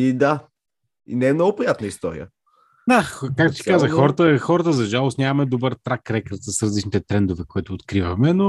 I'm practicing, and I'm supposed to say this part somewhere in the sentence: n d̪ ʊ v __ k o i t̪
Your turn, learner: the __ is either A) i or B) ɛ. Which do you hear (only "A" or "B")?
B